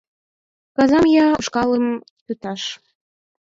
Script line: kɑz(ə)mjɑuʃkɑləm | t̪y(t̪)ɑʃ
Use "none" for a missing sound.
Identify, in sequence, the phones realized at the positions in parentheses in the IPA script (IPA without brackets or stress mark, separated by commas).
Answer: ɑ, t̪